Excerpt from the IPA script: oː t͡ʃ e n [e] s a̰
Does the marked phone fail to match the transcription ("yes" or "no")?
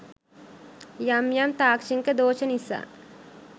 yes